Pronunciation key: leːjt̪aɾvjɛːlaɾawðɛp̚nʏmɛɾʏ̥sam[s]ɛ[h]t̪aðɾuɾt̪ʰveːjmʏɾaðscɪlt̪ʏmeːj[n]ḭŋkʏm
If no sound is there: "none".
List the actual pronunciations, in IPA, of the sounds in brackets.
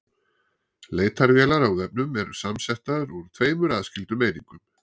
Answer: s, h, n

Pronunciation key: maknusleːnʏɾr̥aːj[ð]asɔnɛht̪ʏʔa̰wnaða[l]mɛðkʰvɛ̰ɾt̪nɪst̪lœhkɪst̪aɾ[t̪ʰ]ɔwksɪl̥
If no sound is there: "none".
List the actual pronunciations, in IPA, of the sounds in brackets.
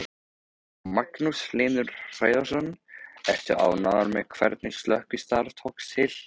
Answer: ð, ɾ, t̪ʰ

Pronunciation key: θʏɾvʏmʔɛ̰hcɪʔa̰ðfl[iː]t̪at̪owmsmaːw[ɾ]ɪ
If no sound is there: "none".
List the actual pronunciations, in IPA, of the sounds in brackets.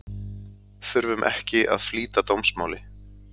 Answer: iː, l

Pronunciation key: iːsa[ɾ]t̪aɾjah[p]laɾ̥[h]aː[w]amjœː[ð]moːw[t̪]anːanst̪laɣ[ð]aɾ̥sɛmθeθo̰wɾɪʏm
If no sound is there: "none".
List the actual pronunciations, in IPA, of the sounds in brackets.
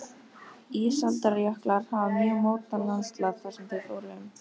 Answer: l, k, h, v, ɣ, t̪, θ

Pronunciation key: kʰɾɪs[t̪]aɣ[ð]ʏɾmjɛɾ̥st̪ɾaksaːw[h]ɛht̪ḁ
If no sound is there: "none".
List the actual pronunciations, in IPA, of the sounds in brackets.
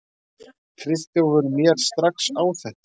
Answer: t̪, v, θ

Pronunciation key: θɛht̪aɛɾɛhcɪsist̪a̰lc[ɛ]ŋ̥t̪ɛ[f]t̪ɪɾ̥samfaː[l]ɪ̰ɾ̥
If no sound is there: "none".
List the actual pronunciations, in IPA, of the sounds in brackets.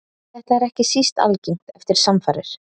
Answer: i, f, ɾ

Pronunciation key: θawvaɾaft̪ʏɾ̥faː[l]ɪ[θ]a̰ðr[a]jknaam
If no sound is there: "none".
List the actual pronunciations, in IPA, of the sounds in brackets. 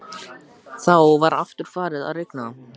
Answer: ɾ, ð, e

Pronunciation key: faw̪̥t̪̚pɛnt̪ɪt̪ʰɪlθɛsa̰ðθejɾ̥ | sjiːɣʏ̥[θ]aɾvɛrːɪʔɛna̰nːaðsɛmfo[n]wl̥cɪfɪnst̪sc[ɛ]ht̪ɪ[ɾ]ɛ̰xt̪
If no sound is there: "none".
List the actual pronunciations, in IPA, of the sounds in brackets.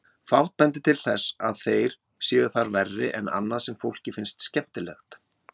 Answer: θ, none, ɛ, l

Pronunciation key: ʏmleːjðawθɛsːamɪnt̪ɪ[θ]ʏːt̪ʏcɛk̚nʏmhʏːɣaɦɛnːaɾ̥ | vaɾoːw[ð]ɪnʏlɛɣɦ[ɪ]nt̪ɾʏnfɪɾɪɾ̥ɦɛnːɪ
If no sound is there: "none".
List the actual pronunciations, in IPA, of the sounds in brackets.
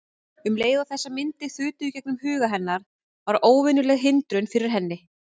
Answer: θ, v, ɪ

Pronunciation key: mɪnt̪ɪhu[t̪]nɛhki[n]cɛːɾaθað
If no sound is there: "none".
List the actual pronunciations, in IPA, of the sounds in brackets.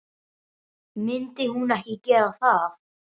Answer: none, none

